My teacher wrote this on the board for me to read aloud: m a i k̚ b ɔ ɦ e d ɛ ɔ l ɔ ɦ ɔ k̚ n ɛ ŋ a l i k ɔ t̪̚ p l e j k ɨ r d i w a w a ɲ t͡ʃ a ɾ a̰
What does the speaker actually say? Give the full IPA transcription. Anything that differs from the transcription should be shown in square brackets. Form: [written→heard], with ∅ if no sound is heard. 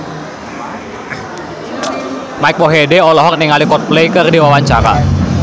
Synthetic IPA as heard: m a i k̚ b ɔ ɦ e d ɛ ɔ l ɔ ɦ ɔ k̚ n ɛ ŋ a l i k ɔ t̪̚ p l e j k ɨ r d i w a w a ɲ t͡ʃ a ɾ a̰